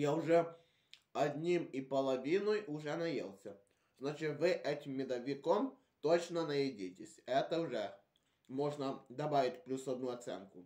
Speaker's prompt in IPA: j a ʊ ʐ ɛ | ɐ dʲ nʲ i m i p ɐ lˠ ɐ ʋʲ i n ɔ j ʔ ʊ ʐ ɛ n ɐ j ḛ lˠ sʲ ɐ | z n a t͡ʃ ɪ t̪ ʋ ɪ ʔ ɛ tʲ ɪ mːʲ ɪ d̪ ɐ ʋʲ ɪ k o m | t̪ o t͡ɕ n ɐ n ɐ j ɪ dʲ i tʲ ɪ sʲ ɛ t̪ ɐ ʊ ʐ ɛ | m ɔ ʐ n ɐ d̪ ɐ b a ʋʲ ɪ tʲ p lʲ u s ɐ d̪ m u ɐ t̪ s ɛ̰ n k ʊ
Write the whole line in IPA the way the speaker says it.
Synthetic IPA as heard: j a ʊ ʐ ɛ | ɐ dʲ nʲ i m i p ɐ lˠ ɐ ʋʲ i n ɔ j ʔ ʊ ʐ ɛ n ɐ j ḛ lˠ sʲ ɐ | z n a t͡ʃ ɪ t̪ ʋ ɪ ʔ ɛ tʲ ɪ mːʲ ɪ d̪ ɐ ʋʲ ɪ k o m | t̪ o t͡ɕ n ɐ n ɐ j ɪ dʲ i tʲ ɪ sʲ ɛ t̪ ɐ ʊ ʐ ɛ | m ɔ ʐ n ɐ d̪ ɐ b a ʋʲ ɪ tʲ p lʲ u s ɐ d̪ n u ɐ t̪ s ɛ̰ n k ʊ